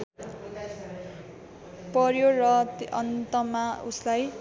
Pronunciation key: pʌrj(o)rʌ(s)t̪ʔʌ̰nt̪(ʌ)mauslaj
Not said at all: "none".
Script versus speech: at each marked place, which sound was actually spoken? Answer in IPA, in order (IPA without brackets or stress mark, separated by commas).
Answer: o, none, ʌ